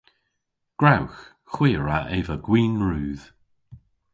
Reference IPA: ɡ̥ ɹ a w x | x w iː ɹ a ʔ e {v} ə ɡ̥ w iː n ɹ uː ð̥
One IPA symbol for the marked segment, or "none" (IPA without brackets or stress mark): v